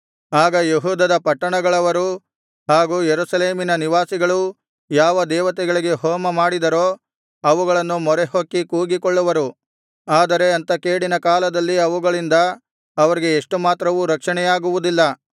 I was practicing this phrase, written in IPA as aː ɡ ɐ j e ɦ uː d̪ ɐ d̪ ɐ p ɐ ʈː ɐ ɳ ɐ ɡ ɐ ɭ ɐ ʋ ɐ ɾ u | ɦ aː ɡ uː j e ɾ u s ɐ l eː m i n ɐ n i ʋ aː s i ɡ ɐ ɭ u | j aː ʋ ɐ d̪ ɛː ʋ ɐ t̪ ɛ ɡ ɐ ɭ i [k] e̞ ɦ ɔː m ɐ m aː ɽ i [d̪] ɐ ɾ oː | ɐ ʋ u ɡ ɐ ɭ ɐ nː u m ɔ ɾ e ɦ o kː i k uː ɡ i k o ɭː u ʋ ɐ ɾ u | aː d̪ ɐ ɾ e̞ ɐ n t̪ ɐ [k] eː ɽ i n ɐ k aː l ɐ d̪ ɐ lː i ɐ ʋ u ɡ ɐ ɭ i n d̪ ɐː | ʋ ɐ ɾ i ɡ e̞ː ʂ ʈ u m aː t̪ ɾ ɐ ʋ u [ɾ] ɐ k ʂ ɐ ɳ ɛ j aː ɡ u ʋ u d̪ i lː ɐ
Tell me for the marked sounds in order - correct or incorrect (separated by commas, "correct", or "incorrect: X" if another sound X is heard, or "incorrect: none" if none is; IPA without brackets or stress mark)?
incorrect: ɡ, correct, correct, correct